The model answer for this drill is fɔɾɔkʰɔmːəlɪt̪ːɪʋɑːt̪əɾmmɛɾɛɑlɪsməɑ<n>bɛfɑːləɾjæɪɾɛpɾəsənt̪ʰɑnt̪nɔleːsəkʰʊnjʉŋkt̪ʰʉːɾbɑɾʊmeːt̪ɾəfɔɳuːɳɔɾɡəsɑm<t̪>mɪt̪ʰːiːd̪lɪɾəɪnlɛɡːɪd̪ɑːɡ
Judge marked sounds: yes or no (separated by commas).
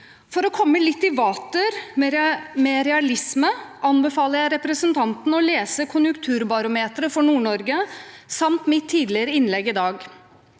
yes, yes